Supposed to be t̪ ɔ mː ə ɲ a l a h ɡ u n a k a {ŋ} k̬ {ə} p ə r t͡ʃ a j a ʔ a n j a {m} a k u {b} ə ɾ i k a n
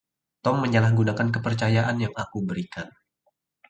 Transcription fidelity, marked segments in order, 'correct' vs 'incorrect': incorrect, correct, incorrect, correct

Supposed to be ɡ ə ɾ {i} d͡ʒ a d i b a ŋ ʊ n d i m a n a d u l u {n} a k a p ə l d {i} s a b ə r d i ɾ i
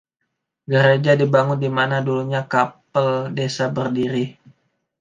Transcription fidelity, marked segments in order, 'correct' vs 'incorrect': incorrect, incorrect, incorrect

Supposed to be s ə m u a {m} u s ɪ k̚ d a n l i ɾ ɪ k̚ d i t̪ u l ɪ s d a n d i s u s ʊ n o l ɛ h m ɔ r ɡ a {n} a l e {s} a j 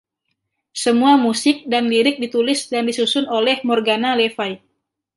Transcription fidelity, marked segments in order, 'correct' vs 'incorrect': correct, correct, incorrect

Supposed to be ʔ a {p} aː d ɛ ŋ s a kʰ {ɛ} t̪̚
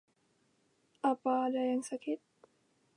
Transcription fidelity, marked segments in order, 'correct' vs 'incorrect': correct, incorrect

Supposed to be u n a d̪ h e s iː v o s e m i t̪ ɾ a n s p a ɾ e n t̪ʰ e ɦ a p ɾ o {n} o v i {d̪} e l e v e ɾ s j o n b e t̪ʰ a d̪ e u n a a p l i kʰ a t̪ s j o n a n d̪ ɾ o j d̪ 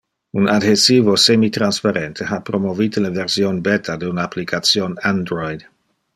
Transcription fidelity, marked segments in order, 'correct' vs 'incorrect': incorrect, incorrect

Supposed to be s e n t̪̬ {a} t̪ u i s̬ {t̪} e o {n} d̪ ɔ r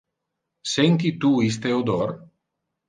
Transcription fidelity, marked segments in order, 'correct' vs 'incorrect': incorrect, correct, incorrect

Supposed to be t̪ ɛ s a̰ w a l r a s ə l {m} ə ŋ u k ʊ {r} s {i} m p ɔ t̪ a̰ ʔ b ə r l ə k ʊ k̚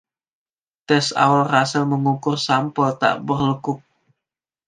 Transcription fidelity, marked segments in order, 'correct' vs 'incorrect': correct, correct, incorrect

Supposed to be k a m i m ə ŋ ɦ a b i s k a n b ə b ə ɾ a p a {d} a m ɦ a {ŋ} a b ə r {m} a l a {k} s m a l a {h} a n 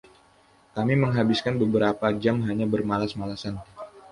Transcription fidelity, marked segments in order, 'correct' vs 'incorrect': incorrect, incorrect, correct, incorrect, incorrect

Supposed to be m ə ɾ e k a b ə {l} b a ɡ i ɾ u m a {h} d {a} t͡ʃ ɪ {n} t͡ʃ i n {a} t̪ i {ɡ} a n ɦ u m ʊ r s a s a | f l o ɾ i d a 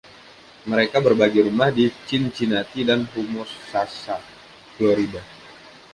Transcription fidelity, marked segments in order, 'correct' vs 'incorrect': incorrect, correct, incorrect, correct, correct, incorrect

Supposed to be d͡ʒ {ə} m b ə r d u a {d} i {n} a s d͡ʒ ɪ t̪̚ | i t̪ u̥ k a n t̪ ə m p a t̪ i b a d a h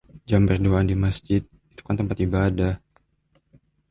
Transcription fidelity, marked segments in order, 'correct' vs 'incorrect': incorrect, correct, incorrect

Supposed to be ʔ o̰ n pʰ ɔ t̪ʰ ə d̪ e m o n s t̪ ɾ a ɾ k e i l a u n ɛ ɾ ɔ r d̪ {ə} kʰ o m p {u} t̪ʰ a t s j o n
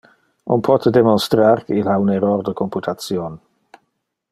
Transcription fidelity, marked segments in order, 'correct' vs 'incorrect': correct, correct

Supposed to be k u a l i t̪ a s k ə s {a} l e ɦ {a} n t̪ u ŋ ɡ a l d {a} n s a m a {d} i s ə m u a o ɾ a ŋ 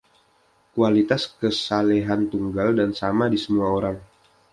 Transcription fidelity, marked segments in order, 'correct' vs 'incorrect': correct, correct, correct, correct

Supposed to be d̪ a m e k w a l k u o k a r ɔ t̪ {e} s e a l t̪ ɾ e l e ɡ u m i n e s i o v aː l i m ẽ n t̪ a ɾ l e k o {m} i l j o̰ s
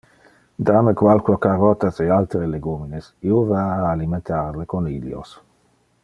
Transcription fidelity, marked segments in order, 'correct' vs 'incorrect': incorrect, incorrect

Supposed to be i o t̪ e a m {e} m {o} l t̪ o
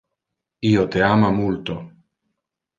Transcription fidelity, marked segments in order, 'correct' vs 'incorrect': incorrect, incorrect

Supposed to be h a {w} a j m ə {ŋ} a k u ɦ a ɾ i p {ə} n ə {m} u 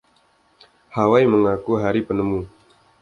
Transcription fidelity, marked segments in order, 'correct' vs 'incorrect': correct, correct, correct, correct

